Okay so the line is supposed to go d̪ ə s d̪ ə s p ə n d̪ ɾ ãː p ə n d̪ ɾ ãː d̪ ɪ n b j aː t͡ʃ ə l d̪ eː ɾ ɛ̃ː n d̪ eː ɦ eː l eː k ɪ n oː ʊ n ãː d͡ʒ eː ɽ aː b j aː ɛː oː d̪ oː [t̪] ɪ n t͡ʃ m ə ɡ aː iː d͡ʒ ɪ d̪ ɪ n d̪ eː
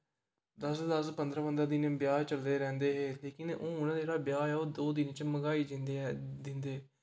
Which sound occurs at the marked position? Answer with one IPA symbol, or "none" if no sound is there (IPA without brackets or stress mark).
d̪